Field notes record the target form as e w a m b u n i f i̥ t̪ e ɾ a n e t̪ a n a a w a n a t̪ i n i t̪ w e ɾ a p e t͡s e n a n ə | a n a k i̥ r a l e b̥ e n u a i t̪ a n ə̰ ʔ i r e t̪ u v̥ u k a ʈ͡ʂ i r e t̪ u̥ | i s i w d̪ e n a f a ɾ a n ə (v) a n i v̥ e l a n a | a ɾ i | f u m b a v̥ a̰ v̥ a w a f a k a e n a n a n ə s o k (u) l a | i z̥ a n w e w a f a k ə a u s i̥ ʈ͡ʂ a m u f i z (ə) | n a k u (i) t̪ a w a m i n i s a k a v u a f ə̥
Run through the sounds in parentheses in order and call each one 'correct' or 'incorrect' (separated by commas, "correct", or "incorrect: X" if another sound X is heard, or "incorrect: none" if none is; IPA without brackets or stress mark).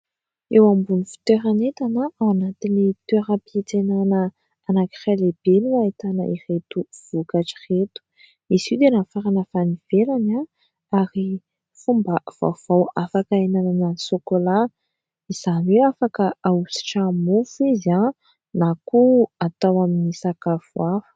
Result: incorrect: f, incorrect: o, incorrect: a, incorrect: a